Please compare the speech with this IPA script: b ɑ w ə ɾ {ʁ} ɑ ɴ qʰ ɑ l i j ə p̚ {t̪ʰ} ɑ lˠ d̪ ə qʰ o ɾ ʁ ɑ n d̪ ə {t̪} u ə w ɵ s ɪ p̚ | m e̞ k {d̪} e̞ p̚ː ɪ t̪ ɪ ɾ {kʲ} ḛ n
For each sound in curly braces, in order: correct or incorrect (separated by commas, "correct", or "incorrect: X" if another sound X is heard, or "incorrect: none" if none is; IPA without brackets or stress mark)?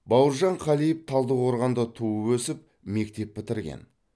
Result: incorrect: ʒ, correct, incorrect: t̪ʰ, incorrect: t̪, incorrect: ɡʲ